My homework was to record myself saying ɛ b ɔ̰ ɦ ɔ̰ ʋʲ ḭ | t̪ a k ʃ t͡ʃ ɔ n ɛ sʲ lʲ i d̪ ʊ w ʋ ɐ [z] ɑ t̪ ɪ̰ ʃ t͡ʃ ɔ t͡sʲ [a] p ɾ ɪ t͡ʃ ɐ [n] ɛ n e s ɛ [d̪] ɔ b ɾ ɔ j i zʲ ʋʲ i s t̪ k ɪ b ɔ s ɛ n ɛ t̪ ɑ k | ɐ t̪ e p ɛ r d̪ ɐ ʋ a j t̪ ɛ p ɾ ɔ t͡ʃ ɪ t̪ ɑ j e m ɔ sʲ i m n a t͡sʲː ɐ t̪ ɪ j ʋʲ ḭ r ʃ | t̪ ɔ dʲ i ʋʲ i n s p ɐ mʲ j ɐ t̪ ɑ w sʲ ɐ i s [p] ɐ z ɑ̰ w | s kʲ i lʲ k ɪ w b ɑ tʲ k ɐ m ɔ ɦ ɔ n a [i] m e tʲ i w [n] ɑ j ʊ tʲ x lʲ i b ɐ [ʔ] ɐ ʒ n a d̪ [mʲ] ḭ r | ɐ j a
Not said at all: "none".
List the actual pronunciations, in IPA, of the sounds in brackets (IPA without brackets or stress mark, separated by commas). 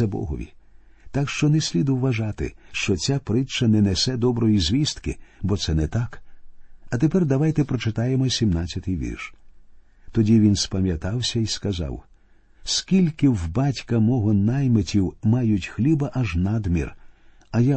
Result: ʒ, a, n, d̪, k, j, m, ʔ, mʲ